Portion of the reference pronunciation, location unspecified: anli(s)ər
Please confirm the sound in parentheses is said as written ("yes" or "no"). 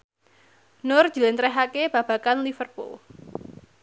no